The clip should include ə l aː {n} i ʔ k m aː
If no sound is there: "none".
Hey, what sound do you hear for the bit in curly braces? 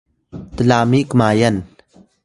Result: m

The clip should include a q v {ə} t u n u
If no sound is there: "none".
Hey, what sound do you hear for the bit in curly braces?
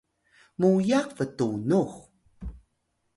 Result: ə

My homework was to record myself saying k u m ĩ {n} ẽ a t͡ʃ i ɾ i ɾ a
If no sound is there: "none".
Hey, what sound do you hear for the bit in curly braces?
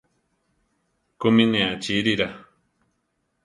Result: n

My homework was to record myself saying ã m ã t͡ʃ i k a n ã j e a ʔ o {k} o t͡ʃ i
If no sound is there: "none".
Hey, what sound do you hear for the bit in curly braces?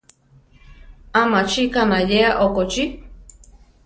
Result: k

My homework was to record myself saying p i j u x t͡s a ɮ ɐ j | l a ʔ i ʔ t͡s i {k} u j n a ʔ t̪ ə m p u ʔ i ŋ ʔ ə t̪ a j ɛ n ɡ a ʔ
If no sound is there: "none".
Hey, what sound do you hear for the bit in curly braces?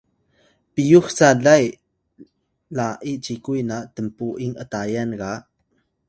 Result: k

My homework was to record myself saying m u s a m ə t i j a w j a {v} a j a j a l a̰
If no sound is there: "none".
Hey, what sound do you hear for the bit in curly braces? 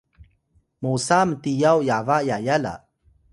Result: v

